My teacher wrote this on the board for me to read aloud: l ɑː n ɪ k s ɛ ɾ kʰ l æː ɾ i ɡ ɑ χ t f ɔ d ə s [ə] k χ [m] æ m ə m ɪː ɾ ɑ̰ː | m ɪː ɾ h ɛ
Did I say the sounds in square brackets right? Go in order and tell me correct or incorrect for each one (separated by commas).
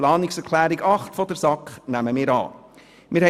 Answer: incorrect, incorrect